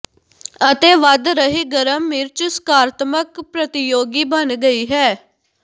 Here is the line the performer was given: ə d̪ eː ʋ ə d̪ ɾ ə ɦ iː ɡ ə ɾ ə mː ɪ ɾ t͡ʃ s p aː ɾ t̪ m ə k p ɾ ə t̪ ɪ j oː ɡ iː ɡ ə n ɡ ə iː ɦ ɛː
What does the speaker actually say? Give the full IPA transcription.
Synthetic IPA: ə t̪ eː ʋ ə d̪ ɾ ə ɦ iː ɡ ə ɾ ə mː ɪ ɾ t͡ʃ s k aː ɾ t̪ m ə k p ɾ ə t̪ ɪ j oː ɡ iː b ə n ɡ ə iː ɦ ɛː